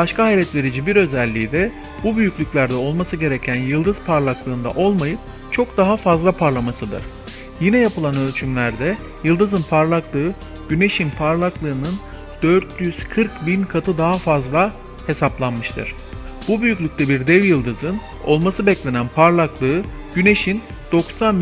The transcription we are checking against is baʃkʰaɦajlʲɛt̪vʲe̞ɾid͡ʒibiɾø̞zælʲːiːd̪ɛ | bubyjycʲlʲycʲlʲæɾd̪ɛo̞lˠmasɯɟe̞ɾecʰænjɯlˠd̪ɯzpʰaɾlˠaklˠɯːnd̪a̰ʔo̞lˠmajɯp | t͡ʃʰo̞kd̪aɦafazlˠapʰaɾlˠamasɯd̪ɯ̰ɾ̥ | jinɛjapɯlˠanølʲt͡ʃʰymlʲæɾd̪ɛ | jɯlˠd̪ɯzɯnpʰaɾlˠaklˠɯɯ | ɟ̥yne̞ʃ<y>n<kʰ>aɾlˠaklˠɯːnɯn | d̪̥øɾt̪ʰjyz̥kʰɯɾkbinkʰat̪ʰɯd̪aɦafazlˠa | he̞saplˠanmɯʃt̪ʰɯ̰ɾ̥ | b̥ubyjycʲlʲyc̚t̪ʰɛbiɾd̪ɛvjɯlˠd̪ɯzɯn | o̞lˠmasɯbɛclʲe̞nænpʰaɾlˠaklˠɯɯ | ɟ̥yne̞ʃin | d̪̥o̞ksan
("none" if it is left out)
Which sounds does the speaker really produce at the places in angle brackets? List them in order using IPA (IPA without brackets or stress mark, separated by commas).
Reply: i, pʰ